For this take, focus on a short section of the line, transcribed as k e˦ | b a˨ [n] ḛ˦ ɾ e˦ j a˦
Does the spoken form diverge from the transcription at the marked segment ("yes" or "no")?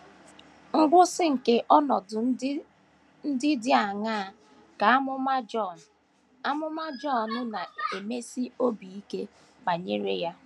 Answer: yes